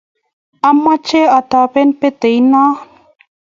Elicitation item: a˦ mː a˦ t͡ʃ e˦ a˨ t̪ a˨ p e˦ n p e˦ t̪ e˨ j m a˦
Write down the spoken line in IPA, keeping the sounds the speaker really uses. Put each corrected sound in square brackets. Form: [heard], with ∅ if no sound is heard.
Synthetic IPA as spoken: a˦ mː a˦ t͡ʃ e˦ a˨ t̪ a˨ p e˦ n p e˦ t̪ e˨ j [n] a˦